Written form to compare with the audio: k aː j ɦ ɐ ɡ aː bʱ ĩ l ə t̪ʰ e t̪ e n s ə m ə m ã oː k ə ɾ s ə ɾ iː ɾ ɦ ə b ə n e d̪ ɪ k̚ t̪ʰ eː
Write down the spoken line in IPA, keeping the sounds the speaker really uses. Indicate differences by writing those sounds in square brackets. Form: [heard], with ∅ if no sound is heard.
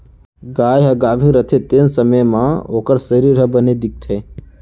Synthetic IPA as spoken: [ɡ] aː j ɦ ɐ ɡ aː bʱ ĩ [ɾ] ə t̪ʰ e t̪ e n s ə m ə m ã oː k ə ɾ s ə ɾ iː ɾ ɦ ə b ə n e d̪ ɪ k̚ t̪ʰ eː